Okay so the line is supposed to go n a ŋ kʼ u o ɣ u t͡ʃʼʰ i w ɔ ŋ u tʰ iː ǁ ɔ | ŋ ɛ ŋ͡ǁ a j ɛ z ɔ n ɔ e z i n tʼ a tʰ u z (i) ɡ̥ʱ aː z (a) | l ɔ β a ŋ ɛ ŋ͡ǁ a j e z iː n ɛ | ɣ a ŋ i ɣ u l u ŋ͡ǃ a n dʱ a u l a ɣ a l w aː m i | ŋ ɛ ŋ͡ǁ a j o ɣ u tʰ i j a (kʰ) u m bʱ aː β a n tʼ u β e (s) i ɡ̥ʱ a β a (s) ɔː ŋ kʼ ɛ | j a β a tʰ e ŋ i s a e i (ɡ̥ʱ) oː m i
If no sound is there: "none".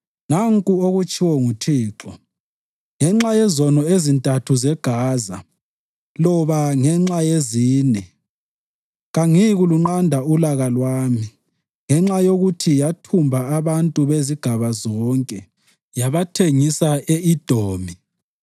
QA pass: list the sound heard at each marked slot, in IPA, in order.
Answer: ɛ, a, tʰ, z, z, d̥ʱ

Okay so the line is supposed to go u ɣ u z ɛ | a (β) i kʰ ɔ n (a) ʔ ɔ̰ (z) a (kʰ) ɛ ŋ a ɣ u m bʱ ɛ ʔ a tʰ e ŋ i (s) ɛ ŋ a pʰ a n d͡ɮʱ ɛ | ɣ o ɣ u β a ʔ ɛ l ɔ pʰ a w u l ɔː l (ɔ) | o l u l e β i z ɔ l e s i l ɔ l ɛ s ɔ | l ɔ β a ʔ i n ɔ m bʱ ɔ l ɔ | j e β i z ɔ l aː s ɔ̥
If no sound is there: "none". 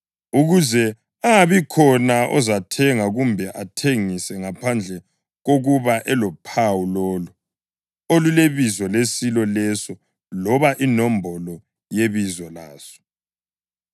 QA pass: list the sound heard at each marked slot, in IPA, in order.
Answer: β, a, z, tʰ, s, u

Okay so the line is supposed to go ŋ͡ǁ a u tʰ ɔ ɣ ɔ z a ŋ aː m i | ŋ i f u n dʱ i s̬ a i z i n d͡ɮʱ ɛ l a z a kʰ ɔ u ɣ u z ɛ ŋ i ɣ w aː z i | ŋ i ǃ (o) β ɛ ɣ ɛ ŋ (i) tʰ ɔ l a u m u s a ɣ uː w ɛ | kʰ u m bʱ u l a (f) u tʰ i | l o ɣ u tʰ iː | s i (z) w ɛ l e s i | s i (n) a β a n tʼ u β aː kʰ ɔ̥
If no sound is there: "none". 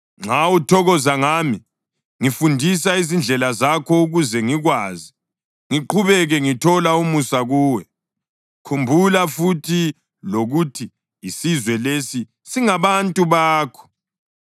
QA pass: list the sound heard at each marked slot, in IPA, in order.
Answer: u, i, f, z, ŋ

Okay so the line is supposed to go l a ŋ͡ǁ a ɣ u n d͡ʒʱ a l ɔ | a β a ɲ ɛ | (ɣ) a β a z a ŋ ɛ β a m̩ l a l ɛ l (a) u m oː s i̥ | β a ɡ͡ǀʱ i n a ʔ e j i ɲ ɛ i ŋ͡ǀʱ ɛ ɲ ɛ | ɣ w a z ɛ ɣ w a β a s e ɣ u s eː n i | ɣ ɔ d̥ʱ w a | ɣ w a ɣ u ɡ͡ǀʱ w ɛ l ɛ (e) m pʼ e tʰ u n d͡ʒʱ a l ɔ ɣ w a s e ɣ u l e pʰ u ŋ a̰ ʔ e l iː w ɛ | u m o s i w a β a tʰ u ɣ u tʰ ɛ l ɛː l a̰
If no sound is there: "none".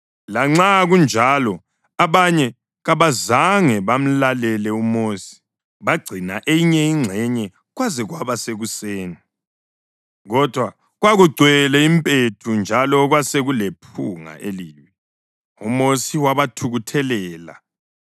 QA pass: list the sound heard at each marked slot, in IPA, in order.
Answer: ɣ, ɛ, i

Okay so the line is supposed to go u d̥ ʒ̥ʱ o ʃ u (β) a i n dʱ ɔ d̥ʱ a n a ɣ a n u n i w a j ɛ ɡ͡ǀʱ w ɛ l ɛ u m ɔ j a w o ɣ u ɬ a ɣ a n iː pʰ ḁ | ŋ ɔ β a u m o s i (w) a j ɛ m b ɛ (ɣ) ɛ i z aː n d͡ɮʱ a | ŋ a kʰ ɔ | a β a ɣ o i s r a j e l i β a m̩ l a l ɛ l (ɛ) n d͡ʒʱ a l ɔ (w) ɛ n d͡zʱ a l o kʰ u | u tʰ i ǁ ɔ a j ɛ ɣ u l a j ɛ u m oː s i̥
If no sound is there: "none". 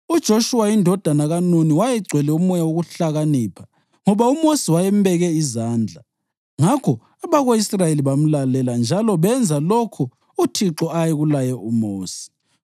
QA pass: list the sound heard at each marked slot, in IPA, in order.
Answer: w, w, ɣ, a, β

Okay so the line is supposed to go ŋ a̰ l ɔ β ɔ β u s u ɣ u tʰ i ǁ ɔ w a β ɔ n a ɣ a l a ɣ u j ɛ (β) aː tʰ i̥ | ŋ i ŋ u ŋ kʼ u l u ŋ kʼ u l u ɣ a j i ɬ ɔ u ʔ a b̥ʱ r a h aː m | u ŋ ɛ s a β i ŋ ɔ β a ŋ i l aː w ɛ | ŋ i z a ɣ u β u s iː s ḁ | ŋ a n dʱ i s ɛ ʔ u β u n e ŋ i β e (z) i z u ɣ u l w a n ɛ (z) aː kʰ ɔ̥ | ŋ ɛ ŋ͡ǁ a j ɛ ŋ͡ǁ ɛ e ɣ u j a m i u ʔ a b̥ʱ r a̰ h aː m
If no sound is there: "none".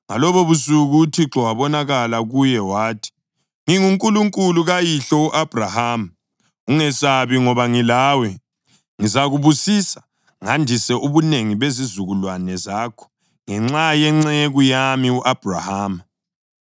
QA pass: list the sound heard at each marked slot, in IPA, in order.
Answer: w, z, z

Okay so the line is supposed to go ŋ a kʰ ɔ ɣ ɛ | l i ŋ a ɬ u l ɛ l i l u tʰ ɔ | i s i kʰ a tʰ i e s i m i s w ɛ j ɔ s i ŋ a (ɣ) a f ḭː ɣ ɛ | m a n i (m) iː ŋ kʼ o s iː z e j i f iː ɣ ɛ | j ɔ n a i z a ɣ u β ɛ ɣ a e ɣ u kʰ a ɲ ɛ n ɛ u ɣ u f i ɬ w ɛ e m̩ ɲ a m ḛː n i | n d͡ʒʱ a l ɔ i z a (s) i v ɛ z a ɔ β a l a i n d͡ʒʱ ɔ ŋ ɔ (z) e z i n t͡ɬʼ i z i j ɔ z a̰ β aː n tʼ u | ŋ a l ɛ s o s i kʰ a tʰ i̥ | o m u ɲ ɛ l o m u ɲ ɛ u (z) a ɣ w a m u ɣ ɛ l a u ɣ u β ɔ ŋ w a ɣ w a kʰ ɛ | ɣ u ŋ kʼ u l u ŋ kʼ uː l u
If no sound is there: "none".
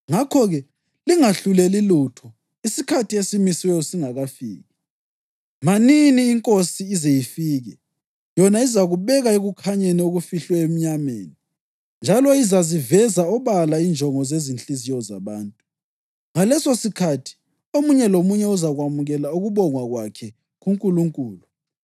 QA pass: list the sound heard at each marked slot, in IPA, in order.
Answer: ɣ, n, z, z, z

